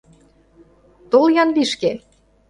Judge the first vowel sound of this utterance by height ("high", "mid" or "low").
mid